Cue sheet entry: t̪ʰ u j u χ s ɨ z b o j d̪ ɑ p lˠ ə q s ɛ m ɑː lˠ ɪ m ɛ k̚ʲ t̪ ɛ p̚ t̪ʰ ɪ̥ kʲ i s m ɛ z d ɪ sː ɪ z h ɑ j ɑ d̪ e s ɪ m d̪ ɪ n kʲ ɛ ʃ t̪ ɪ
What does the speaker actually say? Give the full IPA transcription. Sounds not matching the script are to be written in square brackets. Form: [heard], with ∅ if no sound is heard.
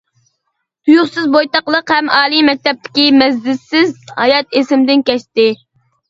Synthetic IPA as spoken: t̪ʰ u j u χ s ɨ z b o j [t̪] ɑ [q] lˠ ə q [h] ɛ m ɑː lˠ [i] m ɛ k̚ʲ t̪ ɛ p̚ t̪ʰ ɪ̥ kʲ i [∅] m ɛ z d ɪ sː ɪ z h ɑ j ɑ [t̪] e s ɪ m d̪ ɪ n kʲ ɛ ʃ t̪ ɪ